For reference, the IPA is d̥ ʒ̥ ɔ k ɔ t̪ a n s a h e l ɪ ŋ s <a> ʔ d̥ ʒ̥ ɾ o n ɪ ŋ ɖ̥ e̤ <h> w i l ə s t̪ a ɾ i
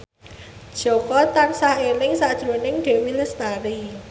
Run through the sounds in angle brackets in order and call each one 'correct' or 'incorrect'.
correct, incorrect

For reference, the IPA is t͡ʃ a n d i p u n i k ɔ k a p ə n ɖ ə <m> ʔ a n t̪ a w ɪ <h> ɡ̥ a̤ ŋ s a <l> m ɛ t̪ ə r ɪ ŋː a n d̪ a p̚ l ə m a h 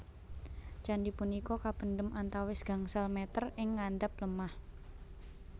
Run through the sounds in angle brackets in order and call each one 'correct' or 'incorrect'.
correct, incorrect, correct

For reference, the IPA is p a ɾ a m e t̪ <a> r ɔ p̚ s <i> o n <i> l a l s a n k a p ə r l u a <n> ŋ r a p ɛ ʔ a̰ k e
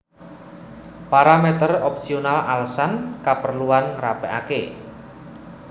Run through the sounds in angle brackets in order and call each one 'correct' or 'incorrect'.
incorrect, correct, incorrect, correct

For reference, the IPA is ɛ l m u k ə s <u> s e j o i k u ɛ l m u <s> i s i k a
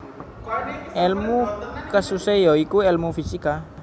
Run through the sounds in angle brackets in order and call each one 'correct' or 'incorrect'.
correct, incorrect

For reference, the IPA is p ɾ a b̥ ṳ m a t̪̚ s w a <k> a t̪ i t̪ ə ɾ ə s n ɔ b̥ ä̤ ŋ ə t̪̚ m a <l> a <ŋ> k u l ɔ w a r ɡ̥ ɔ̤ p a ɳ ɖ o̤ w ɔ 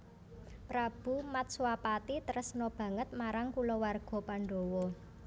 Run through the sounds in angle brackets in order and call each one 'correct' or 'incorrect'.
incorrect, incorrect, correct

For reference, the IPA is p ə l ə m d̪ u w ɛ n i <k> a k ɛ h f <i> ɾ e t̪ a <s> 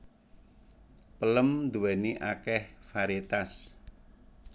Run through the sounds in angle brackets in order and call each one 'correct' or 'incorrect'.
incorrect, incorrect, correct

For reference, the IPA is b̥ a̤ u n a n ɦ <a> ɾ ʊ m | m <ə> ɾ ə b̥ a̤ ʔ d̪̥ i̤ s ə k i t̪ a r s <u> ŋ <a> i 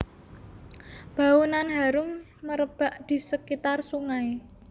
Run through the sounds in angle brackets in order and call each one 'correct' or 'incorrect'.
correct, correct, correct, correct

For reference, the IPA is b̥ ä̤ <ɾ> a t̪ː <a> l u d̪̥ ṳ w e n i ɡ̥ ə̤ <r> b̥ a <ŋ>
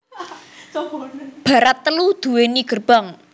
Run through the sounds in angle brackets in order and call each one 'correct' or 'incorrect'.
correct, incorrect, correct, correct

